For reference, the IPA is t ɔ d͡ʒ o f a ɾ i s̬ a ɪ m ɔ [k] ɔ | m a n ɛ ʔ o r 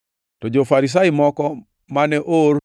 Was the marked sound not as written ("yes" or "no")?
no